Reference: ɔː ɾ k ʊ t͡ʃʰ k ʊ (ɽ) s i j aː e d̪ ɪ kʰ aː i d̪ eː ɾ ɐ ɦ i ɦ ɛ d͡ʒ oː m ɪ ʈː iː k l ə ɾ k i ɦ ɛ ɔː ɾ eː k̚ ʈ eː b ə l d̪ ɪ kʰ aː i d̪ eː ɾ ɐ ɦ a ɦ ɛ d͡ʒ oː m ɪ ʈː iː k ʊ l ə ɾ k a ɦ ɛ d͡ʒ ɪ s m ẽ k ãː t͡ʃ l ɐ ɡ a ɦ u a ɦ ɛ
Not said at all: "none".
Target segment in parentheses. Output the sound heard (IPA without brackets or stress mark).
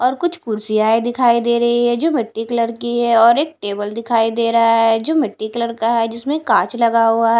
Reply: ɾ